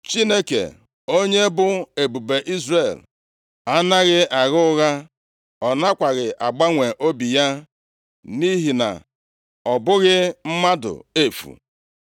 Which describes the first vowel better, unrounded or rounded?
unrounded